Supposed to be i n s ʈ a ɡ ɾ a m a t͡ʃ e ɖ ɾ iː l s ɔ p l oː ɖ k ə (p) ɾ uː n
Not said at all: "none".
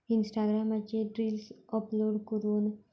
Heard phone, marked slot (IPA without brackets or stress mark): none